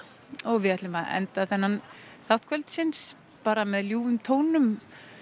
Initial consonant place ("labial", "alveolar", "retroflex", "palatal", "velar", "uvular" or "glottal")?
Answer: velar